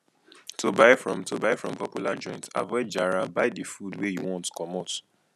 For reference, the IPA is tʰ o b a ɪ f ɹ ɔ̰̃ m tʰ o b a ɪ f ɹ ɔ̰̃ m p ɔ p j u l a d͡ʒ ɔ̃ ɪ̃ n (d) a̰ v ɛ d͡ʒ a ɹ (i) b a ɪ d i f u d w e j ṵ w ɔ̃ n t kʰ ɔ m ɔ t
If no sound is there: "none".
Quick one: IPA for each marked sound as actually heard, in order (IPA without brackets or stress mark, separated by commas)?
t, a